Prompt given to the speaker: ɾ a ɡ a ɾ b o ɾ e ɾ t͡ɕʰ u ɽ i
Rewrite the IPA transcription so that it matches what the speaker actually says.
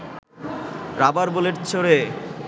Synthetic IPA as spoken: ɾ a b a ɾ b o l e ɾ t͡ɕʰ o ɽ e